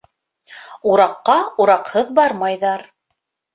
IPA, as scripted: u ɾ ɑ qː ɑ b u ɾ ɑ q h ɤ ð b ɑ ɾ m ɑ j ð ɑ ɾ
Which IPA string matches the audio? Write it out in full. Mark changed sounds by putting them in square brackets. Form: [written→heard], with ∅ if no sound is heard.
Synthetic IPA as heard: u ɾ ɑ qː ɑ [b→∅] u ɾ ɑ q h ɤ ð b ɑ ɾ m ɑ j ð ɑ ɾ